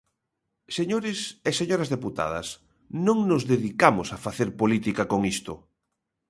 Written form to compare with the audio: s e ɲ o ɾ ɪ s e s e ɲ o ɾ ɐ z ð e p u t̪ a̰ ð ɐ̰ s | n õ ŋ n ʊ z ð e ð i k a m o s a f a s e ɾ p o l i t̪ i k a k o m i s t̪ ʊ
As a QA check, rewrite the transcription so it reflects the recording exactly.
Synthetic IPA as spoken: s e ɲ o ɾ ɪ s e s e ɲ o ɾ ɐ z ð e p u t̪ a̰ ð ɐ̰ s | n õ ŋ n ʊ z ð e ð i k a m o s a f a θ e ɾ p o l i t̪ i k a k o ŋ i s t̪ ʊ